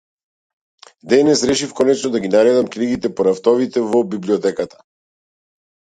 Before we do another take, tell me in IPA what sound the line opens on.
d̪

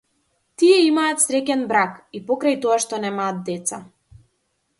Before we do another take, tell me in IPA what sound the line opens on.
t̪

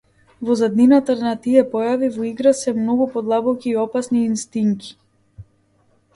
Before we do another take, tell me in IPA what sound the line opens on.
v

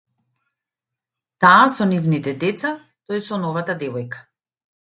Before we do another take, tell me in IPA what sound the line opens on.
t̪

